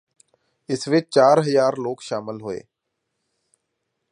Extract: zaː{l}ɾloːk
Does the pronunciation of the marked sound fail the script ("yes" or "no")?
yes